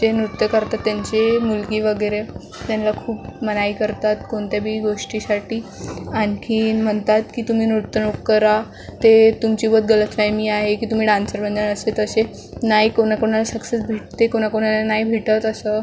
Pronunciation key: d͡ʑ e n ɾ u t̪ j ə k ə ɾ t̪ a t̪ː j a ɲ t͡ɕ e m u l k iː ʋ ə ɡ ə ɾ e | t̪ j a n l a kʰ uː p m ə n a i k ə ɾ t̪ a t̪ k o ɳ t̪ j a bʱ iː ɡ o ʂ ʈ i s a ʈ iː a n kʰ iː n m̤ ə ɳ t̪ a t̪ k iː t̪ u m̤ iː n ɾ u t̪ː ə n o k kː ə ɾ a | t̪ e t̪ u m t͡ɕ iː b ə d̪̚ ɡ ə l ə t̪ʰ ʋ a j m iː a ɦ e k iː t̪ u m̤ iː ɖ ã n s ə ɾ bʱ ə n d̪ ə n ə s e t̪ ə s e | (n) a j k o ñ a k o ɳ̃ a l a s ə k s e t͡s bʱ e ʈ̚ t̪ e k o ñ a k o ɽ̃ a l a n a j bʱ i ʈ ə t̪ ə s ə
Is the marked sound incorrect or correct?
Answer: correct